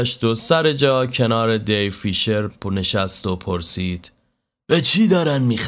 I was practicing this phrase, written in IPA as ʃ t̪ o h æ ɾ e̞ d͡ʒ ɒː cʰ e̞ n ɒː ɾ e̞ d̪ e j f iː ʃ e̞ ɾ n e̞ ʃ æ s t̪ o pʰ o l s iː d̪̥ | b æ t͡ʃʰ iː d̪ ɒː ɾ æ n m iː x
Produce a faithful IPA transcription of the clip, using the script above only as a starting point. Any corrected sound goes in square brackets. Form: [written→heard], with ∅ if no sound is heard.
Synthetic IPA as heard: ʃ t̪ o [h→s] æ ɾ e̞ d͡ʒ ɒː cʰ e̞ n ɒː ɾ e̞ d̪ e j f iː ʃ e̞ ɾ n e̞ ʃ æ s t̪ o pʰ o [l→ɾ] s iː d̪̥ | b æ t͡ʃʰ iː d̪ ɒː ɾ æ n m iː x